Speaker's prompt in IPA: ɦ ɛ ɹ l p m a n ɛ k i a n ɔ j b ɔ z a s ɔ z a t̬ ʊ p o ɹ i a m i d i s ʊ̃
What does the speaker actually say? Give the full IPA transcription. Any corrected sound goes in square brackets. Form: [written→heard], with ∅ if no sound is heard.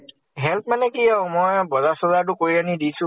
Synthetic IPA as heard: ɦ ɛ [ɹ→∅] l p m a n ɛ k i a [n→m] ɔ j b ɔ z a s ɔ z a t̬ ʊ [p→k] o ɹ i a [m→n] i d i s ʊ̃

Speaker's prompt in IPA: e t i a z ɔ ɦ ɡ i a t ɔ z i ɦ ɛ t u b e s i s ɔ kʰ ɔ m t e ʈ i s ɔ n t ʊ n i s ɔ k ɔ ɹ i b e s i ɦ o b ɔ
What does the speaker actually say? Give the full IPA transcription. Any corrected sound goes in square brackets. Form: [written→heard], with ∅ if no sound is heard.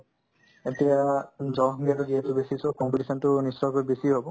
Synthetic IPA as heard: e t i a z ɔ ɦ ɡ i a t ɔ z i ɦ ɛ t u b e s i s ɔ [kʰ→k] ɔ m [t→p] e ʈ i s ɔ n t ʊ n i s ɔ k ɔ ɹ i b e s i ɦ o b ɔ

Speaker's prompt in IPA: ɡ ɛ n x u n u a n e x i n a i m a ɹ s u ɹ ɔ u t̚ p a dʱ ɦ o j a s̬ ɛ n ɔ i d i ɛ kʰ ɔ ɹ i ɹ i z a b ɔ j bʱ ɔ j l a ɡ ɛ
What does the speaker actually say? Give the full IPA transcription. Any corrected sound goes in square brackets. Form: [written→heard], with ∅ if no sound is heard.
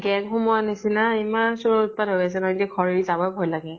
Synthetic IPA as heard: ɡ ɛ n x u [n→m] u a n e [x→s] i n a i m a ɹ s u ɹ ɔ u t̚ p a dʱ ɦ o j a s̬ ɛ n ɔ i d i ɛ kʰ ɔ ɹ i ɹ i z a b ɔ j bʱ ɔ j l a ɡ ɛ

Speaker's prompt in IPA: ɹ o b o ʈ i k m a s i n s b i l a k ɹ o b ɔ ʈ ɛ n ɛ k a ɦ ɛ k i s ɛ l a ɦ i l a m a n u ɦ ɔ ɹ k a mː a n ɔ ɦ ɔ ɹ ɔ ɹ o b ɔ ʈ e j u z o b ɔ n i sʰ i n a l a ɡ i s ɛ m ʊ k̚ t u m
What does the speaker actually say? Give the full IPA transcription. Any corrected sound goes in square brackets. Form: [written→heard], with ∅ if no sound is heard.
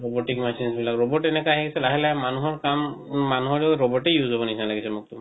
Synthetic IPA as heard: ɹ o b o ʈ i k m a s i n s b i l a k ɹ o b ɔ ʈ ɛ n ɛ k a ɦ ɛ k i s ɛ l a ɦ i l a m a n u ɦ ɔ ɹ k a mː a n [ɔ→u] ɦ ɔ ɹ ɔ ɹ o b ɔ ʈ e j u z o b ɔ n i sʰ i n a l a ɡ i s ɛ m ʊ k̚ t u m

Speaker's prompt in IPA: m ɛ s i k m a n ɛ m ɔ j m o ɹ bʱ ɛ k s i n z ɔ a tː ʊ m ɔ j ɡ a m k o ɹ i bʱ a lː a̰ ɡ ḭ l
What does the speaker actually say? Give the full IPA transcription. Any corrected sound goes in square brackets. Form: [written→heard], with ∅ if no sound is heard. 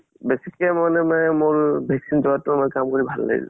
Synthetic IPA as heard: [m→b] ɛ s i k m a n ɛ m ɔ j m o ɹ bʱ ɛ k s i n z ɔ a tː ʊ m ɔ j [ɡ→k] a m k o ɹ i bʱ a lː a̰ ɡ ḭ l

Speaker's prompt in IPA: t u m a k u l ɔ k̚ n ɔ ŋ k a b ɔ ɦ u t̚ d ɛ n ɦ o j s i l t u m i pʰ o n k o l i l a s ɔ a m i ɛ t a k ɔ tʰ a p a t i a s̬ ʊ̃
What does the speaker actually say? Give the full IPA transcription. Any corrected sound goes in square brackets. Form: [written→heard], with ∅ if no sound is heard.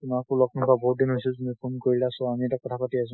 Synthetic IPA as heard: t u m a k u l ɔ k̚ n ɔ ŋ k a b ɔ ɦ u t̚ d [ɛ→i] n ɦ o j s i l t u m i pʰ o n k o [l→ɹ] i l a s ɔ a m i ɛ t a k ɔ tʰ a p a t i a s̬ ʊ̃

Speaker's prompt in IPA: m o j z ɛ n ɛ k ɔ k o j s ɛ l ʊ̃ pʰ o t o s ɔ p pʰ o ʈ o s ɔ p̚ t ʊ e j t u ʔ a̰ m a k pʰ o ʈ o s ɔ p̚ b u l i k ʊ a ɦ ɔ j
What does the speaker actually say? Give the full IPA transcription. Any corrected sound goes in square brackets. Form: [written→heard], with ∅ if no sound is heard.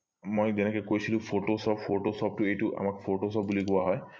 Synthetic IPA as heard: m o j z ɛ n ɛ k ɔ k o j s [ɛ→i] l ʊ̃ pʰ o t o s ɔ p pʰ o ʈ o s ɔ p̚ t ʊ e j t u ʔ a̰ m a k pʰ o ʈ o s ɔ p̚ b u l i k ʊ a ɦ ɔ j

